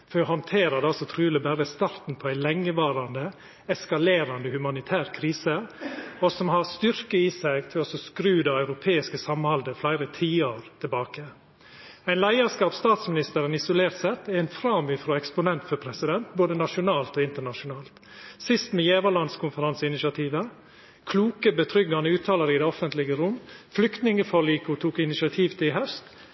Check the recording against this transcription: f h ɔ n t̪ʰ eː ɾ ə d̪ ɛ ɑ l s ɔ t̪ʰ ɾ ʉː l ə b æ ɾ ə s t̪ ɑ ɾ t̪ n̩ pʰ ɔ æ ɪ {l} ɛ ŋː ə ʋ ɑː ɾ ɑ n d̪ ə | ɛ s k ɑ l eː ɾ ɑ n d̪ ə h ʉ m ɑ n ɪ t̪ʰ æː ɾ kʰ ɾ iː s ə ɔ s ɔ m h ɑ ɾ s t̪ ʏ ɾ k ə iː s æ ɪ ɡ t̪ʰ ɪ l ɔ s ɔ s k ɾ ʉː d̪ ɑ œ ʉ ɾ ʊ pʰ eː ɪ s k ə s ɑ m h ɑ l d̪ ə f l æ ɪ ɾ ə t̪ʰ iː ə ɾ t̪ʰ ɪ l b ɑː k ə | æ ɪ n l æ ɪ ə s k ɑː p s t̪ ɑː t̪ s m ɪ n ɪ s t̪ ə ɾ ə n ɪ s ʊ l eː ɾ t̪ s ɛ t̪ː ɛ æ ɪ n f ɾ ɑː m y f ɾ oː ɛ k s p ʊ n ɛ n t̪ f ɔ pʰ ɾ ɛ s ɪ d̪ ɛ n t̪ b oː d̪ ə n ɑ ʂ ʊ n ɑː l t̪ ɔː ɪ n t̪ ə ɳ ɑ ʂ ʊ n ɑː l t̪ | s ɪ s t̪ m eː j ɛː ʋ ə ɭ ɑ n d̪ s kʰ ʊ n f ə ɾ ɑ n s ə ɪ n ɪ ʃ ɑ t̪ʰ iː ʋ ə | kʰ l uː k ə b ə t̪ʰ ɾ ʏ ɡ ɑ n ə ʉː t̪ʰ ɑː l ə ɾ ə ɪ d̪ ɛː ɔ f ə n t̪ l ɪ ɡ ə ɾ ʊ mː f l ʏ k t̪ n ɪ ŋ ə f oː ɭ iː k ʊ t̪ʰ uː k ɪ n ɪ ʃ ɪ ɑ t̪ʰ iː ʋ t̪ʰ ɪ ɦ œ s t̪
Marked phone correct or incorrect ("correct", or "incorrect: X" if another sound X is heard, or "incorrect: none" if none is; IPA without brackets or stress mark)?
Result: correct